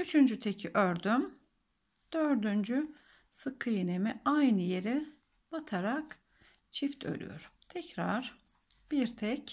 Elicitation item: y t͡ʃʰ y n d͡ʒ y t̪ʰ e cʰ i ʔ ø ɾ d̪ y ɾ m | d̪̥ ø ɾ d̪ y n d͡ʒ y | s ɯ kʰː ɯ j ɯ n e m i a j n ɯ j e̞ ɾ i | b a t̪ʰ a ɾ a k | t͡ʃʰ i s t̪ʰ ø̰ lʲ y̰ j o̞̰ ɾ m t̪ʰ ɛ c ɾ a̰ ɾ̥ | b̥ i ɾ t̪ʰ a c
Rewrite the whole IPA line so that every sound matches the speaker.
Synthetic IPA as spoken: y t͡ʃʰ y n d͡ʒ y t̪ʰ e cʰ i ʔ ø ɾ d̪ y m | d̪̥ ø ɾ d̪ y n d͡ʒ y | s ɯ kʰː ɯ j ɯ n e m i a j n ɯ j e̞ ɾ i | b a t̪ʰ a ɾ a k | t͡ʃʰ i f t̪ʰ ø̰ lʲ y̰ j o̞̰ ɾ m t̪ʰ ɛ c ɾ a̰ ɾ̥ | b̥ i ɾ t̪ʰ ɛ c